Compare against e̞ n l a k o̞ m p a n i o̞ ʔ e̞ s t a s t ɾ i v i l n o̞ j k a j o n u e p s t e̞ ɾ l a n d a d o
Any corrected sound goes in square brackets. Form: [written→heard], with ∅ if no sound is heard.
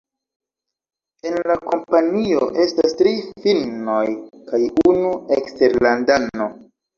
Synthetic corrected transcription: e̞ n l a k o̞ m p a n i o̞ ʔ e̞ s t a s t ɾ i [v→f] i l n o̞ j k a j [o→u] n u e [p→k] s t e̞ ɾ l a n d a [d→n] o